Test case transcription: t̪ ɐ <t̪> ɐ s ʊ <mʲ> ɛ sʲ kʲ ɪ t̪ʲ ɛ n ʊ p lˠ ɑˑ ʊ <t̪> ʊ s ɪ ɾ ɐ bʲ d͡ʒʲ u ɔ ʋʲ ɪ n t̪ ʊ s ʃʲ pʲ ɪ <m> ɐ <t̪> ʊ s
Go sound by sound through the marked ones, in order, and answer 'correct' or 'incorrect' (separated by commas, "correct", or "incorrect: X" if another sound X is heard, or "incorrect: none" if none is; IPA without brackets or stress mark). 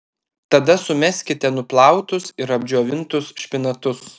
incorrect: d̪, correct, correct, incorrect: n, correct